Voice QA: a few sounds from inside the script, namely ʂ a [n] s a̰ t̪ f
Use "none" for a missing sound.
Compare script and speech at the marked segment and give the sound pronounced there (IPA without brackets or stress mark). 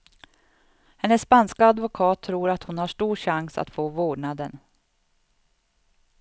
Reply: ŋ